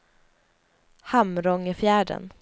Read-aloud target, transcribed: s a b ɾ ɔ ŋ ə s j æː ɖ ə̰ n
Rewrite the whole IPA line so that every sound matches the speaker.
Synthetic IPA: h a m ɾ ɔ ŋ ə f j æː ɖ ə̰ n